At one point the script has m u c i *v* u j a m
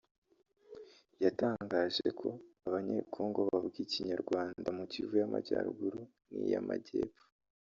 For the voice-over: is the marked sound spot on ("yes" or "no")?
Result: yes